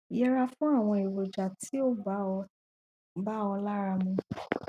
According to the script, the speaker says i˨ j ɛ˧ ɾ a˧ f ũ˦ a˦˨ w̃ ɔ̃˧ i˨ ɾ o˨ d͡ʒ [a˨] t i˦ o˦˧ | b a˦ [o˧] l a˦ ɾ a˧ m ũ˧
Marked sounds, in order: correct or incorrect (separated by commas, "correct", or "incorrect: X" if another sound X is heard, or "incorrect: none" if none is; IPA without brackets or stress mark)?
correct, incorrect: ɔ˧